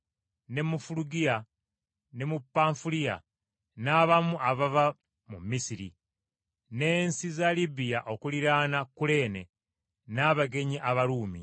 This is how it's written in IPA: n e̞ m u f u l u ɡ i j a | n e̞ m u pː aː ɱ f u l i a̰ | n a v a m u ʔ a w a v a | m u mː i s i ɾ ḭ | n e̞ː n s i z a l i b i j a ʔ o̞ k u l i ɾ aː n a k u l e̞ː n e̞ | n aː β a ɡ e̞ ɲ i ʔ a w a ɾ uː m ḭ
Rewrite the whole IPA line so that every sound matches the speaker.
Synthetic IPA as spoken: n e̞ m u f u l u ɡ i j a | n e̞ m u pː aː ɱ f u l i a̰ | n a β a m u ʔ a β a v a | m u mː i s i ɾ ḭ | n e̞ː n s i z a l i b i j a ʔ o̞ k u l i ɾ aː n a k u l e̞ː n e̞ | n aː β a ɡ e̞ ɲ i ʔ a β a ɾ uː m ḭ